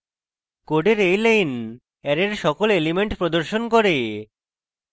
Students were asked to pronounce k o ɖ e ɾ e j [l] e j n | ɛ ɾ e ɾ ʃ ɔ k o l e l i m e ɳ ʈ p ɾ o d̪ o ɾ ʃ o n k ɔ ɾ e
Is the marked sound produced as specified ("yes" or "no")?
yes